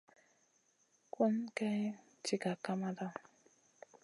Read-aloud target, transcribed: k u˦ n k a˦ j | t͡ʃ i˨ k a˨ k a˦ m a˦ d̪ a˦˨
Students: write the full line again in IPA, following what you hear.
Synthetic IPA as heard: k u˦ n k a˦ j | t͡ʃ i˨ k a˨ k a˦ m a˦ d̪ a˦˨

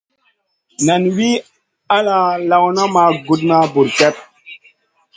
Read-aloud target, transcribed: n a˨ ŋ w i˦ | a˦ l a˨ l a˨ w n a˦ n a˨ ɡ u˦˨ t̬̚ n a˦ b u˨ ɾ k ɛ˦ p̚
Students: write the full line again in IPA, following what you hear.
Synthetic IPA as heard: n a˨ n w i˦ | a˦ l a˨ l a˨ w n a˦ m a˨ ɡ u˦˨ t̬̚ n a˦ b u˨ ɾ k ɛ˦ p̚

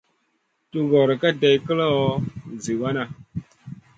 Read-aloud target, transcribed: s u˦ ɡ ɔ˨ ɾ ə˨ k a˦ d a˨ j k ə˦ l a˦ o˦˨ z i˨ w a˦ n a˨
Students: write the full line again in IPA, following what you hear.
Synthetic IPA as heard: t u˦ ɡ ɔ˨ ɾ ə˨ k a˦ d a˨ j k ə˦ l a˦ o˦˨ z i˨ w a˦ n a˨

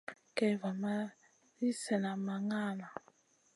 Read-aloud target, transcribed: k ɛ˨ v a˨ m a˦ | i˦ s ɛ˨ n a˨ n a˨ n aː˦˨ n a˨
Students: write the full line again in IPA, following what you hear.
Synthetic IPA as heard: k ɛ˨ v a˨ m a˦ | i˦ s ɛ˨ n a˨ m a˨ ŋ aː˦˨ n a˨

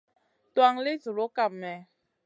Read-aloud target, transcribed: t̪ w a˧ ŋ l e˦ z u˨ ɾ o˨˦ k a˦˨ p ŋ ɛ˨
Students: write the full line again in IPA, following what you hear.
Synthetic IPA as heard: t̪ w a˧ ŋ l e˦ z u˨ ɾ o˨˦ k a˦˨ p m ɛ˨

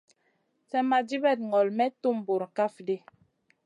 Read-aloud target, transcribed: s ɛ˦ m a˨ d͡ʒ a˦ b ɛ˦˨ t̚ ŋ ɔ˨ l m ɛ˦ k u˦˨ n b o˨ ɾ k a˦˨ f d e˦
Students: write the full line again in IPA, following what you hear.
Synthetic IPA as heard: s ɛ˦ m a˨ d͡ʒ i˦ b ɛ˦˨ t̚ ŋ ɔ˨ l m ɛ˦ t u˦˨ m b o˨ ɾ k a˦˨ f d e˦

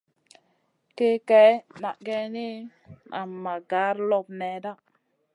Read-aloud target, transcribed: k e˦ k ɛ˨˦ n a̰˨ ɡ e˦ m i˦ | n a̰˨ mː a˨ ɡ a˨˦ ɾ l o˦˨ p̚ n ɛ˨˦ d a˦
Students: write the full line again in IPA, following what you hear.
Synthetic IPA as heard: k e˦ k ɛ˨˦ n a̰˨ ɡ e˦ n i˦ | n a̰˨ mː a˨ ɡ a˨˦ ɾ l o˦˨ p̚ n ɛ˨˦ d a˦

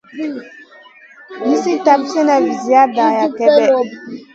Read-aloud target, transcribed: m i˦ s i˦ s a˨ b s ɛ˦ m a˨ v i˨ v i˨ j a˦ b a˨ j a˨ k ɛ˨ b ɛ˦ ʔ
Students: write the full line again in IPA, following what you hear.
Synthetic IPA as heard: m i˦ s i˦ t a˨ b s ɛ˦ n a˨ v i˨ z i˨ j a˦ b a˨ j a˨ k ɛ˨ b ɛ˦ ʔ

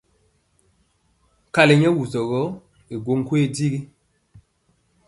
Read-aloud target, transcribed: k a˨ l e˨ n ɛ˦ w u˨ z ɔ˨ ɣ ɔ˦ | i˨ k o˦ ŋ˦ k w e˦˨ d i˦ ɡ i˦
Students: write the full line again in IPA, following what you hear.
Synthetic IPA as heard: k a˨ l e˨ ɲ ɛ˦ w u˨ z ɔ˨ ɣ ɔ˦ | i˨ ɡ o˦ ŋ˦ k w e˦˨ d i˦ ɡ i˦

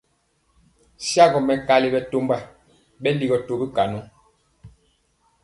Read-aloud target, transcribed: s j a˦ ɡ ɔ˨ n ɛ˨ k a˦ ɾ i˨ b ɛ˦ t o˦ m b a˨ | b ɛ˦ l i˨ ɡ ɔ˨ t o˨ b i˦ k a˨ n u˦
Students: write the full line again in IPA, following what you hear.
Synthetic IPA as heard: s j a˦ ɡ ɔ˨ m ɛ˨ k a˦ l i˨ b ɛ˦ t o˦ m b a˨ | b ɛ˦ l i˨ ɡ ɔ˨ t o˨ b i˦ k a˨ n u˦

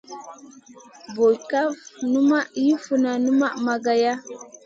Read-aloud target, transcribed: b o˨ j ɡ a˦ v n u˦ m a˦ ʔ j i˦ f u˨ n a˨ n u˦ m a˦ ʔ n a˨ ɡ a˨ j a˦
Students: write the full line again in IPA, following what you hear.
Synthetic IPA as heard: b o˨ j k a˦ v n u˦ m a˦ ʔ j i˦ f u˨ n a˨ n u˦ m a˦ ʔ m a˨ ɡ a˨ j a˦

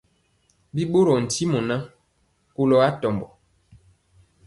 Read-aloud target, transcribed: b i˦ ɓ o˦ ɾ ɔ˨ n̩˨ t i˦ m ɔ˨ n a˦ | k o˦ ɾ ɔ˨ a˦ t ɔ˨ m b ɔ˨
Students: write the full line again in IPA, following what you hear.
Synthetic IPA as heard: b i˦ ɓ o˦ ɾ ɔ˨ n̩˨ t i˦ m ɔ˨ n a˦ | k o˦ l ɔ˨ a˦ t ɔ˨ m b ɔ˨

